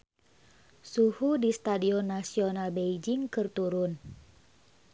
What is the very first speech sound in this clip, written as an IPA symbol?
s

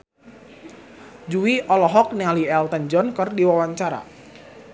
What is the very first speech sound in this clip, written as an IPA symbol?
d͡ʒ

